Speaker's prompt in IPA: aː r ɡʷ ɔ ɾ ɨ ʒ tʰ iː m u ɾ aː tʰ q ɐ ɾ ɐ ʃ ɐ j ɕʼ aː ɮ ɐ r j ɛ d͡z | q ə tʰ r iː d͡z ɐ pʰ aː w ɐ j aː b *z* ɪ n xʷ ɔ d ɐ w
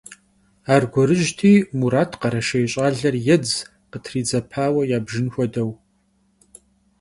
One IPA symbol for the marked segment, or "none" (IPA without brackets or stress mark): ʒ